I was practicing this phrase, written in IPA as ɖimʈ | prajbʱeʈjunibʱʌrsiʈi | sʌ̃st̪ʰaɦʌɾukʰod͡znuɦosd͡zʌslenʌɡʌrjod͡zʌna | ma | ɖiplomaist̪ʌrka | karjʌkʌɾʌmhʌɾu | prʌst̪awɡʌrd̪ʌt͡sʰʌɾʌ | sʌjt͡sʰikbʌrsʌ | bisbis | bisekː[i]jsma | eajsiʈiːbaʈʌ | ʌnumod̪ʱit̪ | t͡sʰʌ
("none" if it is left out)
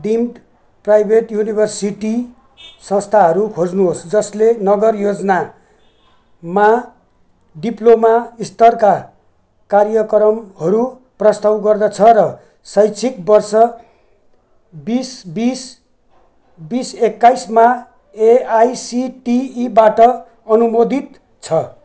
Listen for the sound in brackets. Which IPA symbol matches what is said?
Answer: a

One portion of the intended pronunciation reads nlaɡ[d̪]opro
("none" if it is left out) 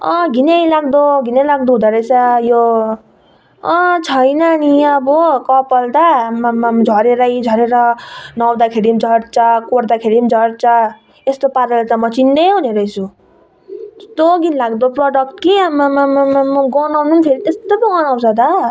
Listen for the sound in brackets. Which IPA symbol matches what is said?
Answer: d̪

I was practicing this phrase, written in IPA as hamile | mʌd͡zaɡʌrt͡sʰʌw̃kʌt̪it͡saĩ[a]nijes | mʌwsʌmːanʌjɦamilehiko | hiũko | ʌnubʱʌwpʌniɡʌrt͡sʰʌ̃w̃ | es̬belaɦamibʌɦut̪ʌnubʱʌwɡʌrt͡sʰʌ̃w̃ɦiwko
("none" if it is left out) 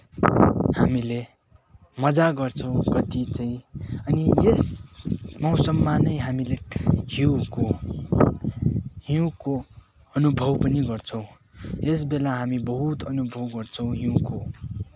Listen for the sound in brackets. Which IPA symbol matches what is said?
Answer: ʌ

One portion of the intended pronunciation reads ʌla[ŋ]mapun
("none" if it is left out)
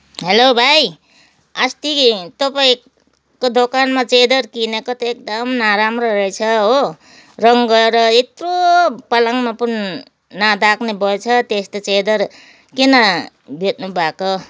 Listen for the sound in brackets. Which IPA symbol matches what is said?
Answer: ŋ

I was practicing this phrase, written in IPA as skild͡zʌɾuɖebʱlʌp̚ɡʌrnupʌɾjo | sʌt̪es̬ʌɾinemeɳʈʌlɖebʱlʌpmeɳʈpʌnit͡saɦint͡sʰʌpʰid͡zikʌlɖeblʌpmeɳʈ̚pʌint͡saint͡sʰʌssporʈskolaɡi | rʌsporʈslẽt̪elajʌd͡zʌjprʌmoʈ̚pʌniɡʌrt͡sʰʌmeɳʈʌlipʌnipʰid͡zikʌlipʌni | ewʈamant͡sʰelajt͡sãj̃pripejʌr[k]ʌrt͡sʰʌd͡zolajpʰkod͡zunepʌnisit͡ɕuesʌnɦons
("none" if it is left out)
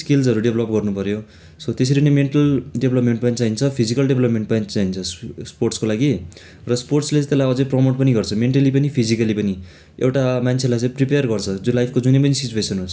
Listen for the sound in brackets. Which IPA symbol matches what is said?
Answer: ɡ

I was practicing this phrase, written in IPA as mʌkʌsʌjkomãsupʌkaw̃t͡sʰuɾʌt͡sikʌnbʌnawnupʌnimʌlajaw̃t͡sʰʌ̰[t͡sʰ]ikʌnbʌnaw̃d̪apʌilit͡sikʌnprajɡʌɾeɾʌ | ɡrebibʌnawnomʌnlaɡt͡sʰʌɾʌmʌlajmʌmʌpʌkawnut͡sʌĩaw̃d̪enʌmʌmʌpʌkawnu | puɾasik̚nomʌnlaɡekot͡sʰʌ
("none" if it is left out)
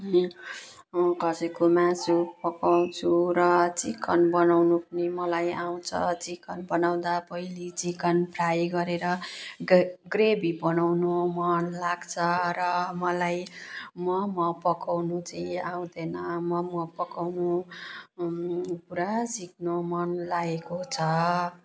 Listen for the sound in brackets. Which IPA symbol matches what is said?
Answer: t͡s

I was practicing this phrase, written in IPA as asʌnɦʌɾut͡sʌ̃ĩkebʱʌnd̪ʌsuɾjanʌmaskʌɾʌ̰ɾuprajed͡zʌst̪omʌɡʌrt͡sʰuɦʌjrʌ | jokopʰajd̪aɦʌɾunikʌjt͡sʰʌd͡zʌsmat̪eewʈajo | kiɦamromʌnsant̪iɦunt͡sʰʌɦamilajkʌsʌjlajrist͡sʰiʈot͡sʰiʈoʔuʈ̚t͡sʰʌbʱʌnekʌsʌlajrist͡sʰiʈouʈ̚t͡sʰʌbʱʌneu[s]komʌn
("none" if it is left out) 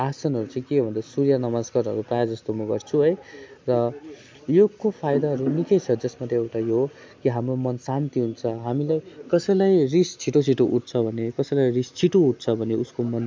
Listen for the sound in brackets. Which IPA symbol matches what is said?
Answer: s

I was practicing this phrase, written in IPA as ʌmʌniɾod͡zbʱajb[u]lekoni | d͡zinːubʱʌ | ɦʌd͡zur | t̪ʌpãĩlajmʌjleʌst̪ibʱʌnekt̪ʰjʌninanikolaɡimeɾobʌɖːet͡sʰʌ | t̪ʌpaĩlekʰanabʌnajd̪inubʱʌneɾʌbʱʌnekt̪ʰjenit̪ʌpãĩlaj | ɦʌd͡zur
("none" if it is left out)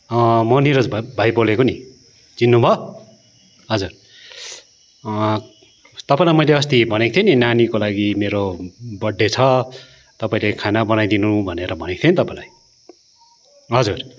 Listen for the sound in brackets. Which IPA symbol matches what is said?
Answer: o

